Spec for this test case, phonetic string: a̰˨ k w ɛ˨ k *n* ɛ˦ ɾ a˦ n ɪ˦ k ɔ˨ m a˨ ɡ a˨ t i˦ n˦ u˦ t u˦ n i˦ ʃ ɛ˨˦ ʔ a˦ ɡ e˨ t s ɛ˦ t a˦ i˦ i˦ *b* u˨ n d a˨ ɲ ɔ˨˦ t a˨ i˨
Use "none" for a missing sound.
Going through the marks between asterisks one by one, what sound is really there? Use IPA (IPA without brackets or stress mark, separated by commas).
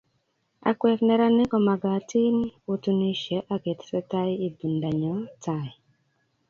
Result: n, b